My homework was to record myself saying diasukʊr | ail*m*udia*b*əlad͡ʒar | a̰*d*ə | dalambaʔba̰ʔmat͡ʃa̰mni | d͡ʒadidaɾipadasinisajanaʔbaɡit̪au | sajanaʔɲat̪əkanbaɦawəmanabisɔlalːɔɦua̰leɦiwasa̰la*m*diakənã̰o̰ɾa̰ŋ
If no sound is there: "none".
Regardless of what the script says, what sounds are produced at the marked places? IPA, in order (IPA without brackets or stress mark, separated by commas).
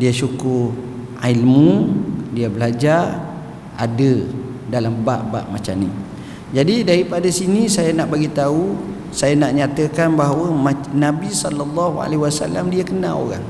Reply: m, b, d, m